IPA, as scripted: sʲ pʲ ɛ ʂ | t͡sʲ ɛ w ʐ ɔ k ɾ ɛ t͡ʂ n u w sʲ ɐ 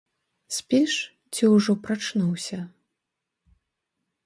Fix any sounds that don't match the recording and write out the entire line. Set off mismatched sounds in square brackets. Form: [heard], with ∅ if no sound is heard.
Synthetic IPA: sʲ pʲ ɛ ʂ | t͡sʲ [i] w ʐ ɔ [p] ɾ [a] t͡ʂ n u w sʲ ɐ